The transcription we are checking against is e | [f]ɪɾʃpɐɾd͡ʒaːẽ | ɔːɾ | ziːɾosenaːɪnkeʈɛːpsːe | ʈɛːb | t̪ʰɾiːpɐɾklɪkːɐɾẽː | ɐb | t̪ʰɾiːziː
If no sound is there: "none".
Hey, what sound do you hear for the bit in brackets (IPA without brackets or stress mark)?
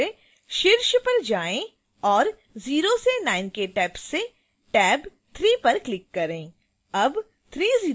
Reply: ʃ